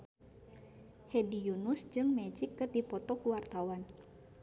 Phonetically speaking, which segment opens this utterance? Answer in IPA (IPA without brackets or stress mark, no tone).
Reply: h